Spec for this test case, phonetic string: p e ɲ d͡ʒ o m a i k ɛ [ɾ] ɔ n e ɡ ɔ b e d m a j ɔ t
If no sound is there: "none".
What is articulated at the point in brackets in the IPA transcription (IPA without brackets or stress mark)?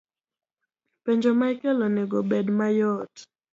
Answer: l